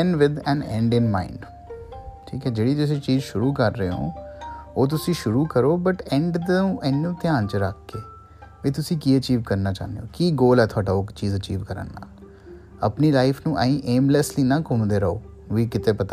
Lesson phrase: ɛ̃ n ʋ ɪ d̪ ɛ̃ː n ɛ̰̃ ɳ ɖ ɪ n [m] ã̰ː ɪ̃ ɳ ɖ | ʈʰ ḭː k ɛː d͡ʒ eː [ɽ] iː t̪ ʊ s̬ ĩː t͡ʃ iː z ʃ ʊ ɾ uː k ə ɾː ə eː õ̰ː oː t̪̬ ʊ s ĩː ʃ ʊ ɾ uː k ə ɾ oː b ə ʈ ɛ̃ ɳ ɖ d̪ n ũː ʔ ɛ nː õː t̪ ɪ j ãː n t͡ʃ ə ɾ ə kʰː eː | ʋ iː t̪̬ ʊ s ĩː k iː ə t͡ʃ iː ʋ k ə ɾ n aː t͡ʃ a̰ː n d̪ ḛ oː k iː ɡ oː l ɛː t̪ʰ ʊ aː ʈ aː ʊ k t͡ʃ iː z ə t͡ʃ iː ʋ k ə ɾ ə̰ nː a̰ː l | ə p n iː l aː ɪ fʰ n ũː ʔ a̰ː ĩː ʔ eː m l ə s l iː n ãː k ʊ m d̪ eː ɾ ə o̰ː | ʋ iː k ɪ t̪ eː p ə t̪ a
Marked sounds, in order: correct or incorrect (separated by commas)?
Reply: correct, correct